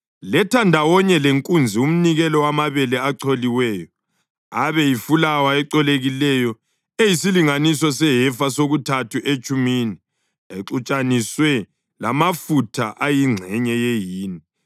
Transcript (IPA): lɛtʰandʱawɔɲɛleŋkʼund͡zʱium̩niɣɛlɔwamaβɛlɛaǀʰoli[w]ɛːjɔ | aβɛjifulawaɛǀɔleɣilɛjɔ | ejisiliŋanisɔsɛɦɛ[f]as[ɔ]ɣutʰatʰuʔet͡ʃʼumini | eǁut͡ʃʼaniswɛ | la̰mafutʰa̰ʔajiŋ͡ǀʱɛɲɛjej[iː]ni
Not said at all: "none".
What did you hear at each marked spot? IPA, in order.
w, f, o, iː

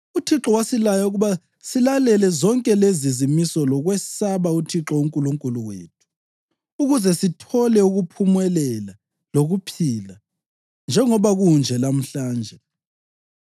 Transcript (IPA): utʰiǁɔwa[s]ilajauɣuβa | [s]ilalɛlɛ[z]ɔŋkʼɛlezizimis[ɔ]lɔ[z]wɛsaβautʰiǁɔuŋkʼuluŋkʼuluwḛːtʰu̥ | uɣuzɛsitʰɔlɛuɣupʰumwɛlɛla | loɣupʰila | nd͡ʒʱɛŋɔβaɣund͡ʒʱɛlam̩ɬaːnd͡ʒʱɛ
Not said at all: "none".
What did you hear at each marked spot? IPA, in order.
s, s, z, ɔ, ɣ

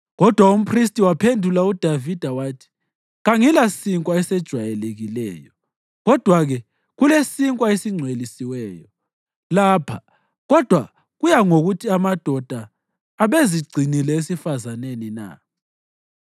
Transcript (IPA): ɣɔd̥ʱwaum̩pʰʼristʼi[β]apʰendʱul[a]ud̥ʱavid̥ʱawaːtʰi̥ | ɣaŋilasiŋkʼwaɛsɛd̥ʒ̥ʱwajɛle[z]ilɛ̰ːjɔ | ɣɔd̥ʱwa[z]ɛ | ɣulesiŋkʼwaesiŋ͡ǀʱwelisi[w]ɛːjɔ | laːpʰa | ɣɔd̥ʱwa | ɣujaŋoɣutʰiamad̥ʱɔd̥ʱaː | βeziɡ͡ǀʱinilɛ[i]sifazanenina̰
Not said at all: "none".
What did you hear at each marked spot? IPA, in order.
w, a, ɣ, ɣ, w, e

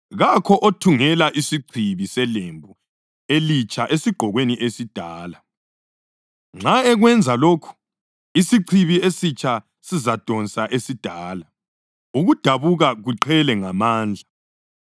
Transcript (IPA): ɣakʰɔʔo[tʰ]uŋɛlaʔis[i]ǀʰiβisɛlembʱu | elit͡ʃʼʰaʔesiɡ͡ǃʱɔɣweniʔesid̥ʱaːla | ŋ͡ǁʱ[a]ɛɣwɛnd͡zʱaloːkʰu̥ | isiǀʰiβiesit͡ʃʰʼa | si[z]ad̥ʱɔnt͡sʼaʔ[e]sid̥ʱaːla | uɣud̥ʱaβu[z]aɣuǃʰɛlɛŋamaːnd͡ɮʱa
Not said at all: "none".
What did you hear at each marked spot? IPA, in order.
tʰ, i, a, z, e, ɣ

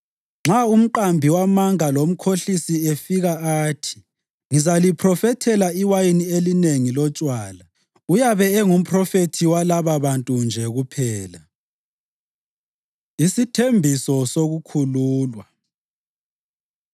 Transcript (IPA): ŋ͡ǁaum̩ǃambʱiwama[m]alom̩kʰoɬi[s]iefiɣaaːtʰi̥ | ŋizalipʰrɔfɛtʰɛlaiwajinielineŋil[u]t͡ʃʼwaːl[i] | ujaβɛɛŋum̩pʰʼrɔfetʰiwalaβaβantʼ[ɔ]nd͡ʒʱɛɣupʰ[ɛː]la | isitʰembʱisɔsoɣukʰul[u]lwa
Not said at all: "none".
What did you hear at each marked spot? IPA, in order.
ŋ, s, ɔ, a, u, ɛː, uː

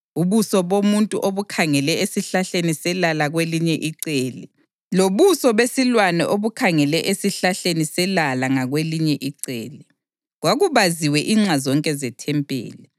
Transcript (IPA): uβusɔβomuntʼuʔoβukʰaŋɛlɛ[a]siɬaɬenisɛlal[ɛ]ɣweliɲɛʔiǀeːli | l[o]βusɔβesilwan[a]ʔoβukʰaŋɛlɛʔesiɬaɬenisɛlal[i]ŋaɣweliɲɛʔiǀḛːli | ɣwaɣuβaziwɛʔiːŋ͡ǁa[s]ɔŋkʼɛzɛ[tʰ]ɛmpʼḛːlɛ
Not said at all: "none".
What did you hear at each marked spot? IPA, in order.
e, a, o, ɛ, a, z, tʰ

